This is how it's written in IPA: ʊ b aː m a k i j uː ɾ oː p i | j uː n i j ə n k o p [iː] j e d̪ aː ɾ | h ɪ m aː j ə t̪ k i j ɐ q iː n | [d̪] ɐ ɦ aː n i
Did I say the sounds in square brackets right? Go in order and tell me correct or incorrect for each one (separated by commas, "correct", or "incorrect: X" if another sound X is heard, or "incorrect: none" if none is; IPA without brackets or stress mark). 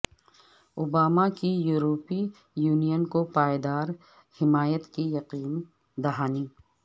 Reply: incorrect: aː, correct